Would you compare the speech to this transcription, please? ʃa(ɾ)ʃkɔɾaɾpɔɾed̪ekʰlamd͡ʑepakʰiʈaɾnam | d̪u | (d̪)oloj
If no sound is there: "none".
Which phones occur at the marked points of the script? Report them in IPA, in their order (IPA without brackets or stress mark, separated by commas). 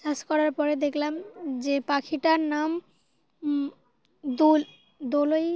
none, d̪